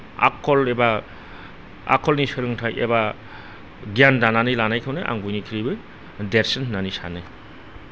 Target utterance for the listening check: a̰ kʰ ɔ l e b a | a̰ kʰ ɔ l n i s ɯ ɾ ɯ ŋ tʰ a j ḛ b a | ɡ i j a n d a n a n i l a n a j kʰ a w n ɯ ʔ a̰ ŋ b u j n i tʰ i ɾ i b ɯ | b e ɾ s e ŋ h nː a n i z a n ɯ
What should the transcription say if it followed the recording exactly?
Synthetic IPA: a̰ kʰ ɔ l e b a | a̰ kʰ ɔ l n i s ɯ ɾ ɯ ŋ tʰ a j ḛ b a | ɡ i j a n d a n a n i l a n a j kʰ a w n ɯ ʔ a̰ ŋ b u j n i kʰ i ɾ i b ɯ | d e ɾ s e n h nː a n i s a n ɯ